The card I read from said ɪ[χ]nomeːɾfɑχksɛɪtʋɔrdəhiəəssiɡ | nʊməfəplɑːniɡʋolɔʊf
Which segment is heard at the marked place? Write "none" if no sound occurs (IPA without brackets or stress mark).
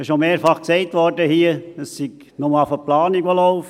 ʃ